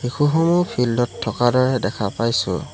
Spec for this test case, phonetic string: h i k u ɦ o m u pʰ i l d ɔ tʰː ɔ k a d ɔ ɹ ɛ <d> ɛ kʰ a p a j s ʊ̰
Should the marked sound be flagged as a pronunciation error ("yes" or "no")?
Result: no